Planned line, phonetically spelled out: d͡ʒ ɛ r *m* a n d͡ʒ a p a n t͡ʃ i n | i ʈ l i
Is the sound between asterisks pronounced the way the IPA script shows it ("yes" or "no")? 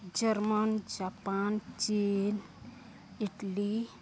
yes